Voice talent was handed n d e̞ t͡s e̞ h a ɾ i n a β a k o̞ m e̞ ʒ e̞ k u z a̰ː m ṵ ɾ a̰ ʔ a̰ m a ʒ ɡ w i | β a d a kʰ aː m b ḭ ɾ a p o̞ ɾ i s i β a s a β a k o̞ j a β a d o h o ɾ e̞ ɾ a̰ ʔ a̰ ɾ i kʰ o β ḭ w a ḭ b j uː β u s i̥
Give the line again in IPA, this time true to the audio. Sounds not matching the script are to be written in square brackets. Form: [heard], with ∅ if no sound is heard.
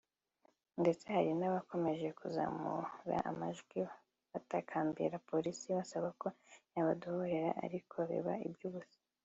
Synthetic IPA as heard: n d e̞ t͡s e̞ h a ɾ i n a β a k o̞ m e̞ ʒ e̞ k u z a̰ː m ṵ ɾ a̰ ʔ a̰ m a ʒ ɡ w i | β a [t] a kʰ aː m b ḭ ɾ a p o̞ ɾ i s i β a s a β a k o̞ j a β a d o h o ɾ e̞ ɾ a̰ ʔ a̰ ɾ i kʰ o β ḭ [β] a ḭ b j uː β u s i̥